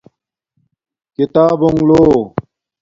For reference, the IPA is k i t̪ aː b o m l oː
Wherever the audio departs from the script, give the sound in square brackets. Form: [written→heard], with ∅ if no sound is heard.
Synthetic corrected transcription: k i t̪ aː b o [m→ŋ] l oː